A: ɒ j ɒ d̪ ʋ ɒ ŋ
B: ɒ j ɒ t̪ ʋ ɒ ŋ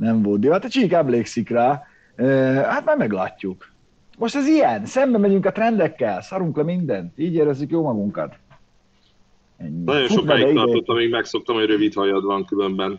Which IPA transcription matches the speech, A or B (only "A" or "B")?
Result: A